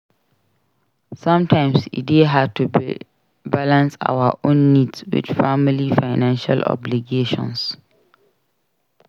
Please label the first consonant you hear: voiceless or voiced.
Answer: voiceless